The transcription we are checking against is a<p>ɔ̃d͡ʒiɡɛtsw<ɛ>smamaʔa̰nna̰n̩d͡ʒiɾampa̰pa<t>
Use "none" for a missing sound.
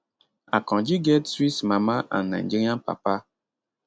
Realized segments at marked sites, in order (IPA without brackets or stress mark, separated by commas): k, i, none